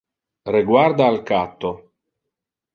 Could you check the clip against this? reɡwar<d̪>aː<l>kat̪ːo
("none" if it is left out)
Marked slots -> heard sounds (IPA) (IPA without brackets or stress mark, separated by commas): d̪, l